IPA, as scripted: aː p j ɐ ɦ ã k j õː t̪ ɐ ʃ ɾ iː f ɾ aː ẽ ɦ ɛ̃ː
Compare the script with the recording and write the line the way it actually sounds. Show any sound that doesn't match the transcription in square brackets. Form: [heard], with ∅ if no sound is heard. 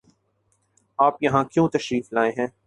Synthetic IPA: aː p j ɐ ɦ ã k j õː t̪ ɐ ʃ ɾ iː f [l] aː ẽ ɦ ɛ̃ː